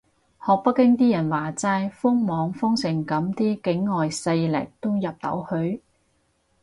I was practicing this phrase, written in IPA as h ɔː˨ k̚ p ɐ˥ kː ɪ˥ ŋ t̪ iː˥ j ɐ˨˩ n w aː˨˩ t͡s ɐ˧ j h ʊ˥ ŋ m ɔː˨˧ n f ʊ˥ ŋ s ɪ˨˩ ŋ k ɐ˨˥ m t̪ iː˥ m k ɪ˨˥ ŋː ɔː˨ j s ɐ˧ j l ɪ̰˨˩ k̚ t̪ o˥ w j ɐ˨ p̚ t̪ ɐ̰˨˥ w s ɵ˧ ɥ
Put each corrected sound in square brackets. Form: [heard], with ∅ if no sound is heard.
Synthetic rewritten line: h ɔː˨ k̚ p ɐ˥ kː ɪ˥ ŋ t̪ iː˥ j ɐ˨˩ n w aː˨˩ t͡s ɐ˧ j [f] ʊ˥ ŋ m ɔː˨˧ [ŋ] f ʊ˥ ŋ s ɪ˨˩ ŋ k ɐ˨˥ m t̪ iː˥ [∅] k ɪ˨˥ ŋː ɔː˨ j s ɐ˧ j l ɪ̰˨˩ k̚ t̪ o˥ w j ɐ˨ p̚ t̪ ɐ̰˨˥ w [h] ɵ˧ ɥ

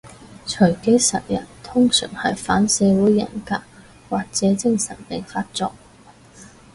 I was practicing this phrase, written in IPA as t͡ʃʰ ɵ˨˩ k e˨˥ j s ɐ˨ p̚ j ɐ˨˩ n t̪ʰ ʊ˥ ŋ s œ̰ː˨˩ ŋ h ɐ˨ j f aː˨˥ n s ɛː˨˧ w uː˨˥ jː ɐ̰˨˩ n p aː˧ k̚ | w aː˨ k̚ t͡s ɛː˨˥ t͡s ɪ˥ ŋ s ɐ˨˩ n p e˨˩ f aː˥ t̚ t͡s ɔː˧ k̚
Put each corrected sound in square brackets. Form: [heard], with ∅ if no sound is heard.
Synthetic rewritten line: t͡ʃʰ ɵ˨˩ k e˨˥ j s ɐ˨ [t̚] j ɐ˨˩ n t̪ʰ ʊ˥ ŋ s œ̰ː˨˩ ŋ h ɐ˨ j f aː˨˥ n s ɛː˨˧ w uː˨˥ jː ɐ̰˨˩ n [k] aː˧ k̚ | w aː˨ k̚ t͡s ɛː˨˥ t͡s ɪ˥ ŋ s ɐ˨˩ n p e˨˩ f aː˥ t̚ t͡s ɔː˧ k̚

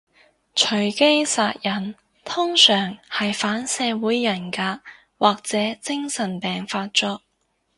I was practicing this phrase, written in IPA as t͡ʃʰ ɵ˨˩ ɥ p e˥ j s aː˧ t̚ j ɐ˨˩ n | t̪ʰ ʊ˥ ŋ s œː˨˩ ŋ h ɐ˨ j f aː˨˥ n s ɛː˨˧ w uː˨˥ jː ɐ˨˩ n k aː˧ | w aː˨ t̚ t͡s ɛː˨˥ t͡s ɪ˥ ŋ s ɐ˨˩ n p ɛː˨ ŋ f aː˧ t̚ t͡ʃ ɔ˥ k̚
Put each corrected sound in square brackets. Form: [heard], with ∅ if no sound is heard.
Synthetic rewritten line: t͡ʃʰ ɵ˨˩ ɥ [k] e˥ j s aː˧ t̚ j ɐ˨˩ n | t̪ʰ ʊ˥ ŋ s œː˨˩ ŋ h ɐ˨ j f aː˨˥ n s ɛː˨˧ w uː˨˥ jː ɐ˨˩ n k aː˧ | w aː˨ [k̚] t͡s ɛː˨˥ t͡s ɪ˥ ŋ s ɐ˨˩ n p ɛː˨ ŋ f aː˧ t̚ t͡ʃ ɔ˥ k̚

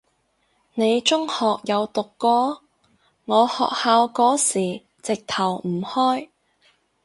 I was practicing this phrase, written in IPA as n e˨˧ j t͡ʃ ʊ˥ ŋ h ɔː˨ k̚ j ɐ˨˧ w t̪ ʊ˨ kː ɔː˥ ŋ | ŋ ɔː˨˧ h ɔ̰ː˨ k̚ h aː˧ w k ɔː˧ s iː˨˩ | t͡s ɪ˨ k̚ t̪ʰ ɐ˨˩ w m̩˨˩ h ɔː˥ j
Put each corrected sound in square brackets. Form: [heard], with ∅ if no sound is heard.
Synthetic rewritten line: n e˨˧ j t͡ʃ ʊ˥ ŋ h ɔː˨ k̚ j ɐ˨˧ w t̪ ʊ˨ kː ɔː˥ [∅] | ŋ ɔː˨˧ h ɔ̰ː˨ k̚ h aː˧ w k [ɔː˨˥] s iː˨˩ | t͡s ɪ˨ k̚ t̪ʰ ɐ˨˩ w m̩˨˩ h ɔː˥ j

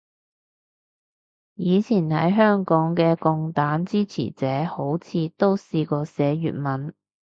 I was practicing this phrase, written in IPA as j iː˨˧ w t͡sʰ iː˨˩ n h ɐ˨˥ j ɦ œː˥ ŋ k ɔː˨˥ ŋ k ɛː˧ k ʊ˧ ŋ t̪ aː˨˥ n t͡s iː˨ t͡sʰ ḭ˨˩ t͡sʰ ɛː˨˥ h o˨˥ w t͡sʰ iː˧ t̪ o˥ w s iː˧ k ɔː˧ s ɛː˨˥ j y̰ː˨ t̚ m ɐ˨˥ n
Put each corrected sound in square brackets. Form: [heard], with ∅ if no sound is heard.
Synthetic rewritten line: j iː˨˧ [∅] t͡sʰ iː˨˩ n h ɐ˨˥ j ɦ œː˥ ŋ k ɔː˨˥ ŋ k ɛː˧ k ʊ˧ ŋ t̪ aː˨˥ n t͡s [iː˥] t͡sʰ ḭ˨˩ [t͡s] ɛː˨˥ h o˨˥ w t͡sʰ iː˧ t̪ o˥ w s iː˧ k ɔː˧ s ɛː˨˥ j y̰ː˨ t̚ m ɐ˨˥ n

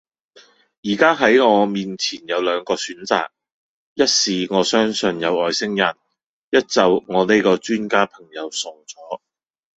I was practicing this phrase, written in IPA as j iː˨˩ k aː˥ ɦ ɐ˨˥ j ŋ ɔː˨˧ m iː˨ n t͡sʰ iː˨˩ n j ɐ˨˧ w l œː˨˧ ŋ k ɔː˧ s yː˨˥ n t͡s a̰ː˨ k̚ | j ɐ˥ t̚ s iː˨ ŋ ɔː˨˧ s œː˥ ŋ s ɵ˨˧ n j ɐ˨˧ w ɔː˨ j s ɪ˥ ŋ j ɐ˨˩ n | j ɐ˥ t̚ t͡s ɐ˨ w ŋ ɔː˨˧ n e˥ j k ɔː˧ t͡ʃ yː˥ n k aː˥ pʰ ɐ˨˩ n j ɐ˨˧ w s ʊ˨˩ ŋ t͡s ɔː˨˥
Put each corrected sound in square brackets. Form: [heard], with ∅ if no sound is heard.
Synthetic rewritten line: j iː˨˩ k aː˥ ɦ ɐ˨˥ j ŋ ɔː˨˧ m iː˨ n t͡sʰ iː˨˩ n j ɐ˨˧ w l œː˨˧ ŋ k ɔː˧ s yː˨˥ n t͡s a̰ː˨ k̚ | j ɐ˥ t̚ s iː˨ ŋ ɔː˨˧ s œː˥ ŋ s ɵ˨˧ n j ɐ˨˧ w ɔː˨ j s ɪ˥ ŋ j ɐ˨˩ n | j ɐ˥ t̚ t͡s ɐ˨ w ŋ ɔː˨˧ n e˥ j k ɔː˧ t͡ʃ yː˥ n k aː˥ pʰ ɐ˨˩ [ŋ] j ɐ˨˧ w s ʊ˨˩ ŋ t͡s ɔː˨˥

